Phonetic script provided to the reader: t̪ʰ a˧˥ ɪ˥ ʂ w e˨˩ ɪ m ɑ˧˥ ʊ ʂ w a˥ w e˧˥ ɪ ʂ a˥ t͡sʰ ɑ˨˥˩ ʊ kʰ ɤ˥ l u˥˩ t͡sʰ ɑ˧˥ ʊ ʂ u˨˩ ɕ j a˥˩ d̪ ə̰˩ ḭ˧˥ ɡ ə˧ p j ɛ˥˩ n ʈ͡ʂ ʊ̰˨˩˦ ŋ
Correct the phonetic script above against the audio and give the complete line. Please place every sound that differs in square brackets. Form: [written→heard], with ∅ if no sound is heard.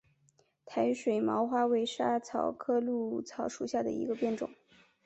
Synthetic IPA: t̪ʰ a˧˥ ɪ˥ ʂ w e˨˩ ɪ m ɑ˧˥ ʊ [ʂ→x] w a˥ w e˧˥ ɪ ʂ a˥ t͡sʰ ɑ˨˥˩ ʊ kʰ ɤ˥ l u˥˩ t͡sʰ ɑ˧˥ ʊ ʂ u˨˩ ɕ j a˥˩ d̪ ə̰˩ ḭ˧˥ ɡ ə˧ p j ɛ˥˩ n ʈ͡ʂ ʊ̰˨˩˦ ŋ